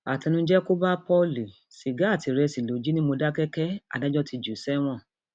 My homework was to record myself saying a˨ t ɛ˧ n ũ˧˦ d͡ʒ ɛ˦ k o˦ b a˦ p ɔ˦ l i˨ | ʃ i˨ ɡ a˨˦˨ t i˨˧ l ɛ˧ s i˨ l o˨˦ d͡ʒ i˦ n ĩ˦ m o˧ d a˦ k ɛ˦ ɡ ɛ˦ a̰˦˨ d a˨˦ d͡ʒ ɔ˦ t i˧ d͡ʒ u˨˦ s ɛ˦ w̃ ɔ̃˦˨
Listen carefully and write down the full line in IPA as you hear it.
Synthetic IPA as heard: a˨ t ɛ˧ n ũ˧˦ d͡ʒ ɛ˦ k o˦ b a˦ p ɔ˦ l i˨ | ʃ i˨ ɡ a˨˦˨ t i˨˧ ɾ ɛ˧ s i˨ l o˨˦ d͡ʒ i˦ n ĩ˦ m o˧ d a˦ k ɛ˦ k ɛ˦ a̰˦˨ d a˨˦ d͡ʒ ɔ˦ t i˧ d͡ʒ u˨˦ s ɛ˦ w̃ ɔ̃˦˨